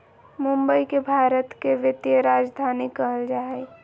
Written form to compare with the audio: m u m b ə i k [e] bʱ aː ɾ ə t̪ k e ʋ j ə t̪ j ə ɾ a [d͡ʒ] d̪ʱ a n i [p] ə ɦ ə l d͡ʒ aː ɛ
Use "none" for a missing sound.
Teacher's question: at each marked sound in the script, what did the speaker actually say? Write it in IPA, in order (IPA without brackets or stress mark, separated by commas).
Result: e, d͡ʒ, k